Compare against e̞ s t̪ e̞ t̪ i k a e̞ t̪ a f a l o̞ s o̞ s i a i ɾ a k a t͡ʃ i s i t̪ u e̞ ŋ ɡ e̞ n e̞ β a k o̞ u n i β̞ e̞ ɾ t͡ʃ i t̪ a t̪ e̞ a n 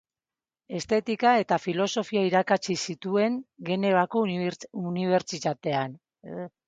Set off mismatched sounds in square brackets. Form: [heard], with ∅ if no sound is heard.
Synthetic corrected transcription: e̞ s t̪ e̞ t̪ i k a e̞ t̪ a f [i] l o̞ s o̞ [f] i a i ɾ a k a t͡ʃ i s i t̪ u e̞ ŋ ɡ e̞ n e̞ β a k o̞ u n i β̞ e̞ ɾ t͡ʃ i t̪ a t̪ e̞ a n